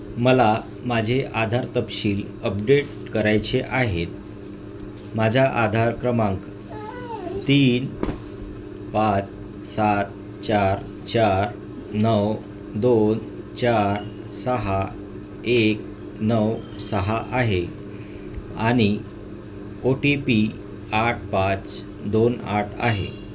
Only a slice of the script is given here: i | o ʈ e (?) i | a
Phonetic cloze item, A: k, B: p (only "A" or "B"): B